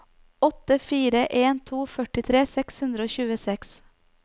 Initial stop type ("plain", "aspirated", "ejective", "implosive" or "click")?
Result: plain